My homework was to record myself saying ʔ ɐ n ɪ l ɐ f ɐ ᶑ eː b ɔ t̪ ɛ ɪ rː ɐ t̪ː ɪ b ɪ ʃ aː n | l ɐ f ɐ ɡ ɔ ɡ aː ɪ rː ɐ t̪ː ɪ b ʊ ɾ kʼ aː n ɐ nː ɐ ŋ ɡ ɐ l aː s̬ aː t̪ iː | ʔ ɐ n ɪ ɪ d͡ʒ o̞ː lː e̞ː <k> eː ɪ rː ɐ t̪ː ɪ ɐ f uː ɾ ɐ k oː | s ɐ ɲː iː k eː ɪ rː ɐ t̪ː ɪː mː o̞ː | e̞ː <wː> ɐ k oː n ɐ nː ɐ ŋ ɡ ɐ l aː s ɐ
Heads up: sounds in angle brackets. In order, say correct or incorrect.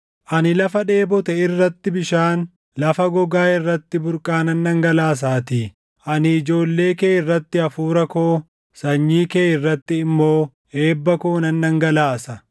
correct, incorrect: bː

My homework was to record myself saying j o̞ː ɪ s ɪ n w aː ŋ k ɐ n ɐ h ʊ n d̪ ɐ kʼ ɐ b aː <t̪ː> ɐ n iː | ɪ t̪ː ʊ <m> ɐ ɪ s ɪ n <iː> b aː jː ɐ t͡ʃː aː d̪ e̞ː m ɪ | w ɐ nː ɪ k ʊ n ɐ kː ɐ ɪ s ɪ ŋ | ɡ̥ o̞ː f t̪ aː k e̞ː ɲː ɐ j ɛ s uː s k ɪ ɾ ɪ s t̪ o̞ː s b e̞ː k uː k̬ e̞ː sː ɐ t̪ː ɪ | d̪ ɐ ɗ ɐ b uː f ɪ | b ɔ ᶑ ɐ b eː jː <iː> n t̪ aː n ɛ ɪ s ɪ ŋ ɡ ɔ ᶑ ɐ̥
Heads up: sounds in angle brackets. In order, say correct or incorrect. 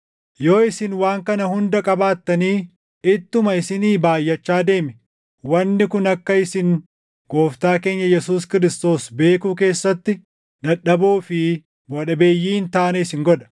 correct, correct, correct, correct

